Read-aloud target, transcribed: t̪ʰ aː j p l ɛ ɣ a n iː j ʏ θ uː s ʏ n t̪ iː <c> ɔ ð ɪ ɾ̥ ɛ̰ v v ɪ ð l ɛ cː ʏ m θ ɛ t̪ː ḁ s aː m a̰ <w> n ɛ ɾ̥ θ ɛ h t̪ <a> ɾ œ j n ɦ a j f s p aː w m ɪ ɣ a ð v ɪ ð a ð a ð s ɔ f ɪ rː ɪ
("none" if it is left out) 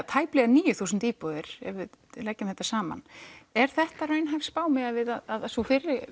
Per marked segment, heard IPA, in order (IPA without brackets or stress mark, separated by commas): p, none, a